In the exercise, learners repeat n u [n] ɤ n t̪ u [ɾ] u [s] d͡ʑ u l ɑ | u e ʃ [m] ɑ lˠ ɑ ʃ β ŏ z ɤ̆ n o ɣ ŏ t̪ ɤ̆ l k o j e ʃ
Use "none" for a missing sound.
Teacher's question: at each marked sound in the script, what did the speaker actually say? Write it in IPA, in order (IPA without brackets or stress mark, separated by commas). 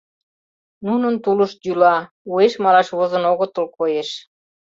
n, l, ʃ, m